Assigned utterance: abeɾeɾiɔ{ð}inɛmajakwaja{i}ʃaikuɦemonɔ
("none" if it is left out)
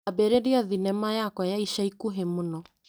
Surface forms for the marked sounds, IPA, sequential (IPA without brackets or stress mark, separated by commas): ð, i